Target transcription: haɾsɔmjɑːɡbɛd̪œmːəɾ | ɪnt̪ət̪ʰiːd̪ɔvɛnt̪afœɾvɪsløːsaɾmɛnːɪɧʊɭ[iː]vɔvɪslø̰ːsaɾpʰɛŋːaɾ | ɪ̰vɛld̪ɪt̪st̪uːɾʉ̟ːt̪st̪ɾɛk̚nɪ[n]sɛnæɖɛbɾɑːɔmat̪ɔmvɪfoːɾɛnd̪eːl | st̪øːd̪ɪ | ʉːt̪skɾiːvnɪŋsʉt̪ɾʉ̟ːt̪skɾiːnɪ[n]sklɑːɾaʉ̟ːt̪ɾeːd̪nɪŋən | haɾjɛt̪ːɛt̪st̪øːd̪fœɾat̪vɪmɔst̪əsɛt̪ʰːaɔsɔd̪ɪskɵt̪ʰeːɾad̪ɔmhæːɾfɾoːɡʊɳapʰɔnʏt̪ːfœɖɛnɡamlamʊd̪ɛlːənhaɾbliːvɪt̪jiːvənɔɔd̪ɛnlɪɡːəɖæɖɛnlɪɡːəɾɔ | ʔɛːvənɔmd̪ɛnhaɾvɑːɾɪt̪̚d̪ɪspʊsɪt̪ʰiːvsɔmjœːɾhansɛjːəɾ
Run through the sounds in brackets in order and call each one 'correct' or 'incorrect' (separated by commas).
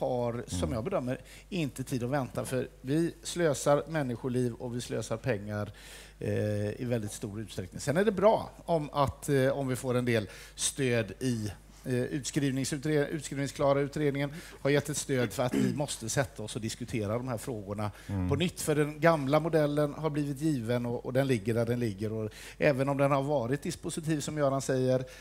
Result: correct, incorrect, incorrect